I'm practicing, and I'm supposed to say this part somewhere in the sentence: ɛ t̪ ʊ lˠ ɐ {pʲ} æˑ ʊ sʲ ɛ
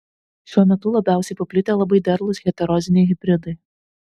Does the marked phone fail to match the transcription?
yes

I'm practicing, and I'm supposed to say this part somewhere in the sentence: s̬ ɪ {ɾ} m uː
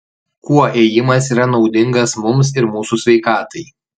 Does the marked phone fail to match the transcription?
no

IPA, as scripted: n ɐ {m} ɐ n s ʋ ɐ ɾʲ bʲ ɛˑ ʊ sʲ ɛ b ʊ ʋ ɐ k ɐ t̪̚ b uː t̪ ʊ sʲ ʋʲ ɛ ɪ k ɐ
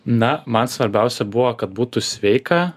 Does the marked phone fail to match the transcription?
no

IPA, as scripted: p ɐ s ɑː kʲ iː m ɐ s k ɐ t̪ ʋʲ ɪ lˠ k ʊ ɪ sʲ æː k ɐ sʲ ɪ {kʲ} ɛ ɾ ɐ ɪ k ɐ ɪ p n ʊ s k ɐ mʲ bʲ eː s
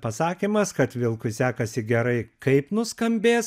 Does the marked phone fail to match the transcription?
yes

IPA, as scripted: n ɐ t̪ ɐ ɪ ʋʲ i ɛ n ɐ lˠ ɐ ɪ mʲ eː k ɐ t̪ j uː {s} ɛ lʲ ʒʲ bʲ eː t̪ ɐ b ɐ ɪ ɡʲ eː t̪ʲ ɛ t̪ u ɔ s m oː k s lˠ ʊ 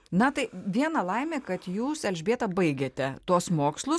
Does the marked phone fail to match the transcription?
no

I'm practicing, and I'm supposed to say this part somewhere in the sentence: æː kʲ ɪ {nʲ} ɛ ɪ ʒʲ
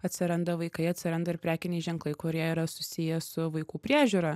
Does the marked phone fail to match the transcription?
no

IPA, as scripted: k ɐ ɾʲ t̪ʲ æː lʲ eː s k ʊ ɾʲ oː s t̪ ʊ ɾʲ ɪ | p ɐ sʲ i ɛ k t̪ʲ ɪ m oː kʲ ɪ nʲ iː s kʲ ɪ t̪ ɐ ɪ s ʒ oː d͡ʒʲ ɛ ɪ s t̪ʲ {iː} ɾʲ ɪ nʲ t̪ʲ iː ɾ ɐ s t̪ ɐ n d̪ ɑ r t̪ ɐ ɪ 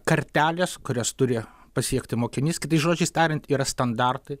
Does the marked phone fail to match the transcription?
yes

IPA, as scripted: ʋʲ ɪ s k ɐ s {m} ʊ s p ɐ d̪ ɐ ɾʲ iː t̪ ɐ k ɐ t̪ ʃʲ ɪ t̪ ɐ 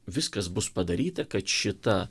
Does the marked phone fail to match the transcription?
yes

